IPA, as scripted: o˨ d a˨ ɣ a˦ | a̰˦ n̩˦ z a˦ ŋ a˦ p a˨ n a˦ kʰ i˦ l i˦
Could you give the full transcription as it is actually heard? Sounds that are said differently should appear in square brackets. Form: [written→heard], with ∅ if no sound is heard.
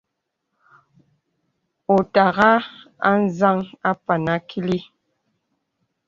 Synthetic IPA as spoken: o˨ [d→t] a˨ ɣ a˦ | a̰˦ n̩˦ z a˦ ŋ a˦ p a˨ n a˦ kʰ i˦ l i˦